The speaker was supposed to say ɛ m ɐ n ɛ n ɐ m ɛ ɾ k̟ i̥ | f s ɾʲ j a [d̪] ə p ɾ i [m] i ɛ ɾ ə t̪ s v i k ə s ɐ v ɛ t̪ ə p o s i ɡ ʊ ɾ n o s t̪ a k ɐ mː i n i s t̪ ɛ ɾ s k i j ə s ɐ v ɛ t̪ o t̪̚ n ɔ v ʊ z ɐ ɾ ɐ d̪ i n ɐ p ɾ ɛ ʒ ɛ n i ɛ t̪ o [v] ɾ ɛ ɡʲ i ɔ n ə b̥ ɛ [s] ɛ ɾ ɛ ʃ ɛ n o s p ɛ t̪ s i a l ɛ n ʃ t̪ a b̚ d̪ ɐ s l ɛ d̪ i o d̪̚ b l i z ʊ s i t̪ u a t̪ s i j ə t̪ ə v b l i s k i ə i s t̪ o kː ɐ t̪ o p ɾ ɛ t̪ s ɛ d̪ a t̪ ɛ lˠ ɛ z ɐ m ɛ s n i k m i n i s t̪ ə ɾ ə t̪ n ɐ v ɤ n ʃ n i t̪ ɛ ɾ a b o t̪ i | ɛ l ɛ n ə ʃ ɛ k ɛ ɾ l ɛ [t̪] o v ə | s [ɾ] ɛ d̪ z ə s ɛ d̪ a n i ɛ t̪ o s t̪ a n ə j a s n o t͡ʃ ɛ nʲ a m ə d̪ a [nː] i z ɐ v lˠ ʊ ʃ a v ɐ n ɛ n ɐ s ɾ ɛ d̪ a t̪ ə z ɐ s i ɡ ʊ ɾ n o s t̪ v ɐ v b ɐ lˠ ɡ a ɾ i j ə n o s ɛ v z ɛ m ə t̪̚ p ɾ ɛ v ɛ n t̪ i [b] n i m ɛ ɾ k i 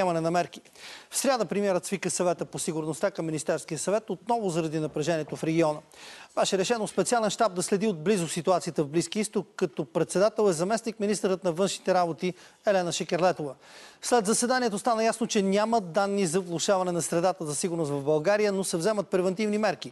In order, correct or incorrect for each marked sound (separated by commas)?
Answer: correct, correct, incorrect, incorrect, correct, incorrect, correct, incorrect